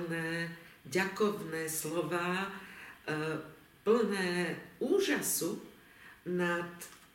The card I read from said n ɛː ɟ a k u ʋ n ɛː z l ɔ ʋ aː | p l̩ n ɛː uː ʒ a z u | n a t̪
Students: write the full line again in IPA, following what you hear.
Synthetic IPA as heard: n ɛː ɟ a k ɔ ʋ n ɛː s l ɔ ʋ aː | p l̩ n ɛː uː ʒ a s u | n a t̪